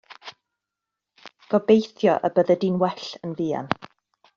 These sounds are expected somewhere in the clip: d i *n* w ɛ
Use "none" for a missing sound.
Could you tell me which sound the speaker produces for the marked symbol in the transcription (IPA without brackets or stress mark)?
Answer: n